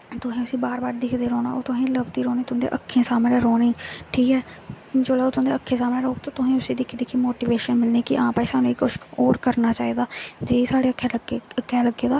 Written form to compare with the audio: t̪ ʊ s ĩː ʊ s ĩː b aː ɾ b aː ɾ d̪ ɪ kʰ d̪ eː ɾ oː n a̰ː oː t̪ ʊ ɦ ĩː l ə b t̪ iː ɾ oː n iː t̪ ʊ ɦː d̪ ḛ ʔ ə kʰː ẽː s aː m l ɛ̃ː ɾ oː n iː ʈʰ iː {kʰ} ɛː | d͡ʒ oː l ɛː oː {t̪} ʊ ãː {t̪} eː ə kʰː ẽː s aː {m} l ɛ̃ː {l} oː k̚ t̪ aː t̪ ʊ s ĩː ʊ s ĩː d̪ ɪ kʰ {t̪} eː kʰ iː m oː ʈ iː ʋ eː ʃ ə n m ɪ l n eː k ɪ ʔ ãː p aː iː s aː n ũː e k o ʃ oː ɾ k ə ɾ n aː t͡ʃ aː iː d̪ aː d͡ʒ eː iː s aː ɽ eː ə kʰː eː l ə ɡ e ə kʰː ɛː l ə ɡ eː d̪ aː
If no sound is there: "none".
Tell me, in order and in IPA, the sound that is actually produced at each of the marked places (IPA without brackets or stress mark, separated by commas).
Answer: k, t̪, d̪, m, ɾ, d̪